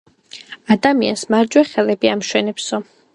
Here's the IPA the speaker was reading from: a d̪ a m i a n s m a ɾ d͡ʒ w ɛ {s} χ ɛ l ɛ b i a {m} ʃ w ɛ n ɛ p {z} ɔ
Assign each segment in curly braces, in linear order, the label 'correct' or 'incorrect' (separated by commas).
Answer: incorrect, correct, incorrect